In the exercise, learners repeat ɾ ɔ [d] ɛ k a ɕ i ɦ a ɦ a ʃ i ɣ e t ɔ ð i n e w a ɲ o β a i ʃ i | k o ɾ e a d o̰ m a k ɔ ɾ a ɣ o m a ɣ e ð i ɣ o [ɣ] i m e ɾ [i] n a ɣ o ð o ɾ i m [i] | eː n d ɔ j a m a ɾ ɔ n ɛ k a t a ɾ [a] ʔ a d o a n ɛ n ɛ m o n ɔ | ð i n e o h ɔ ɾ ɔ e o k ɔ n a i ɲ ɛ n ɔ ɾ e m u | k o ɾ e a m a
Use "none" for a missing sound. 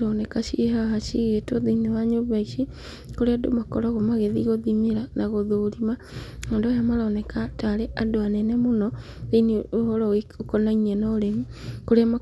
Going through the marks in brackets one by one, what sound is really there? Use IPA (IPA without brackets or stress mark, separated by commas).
n, ð, a, a, e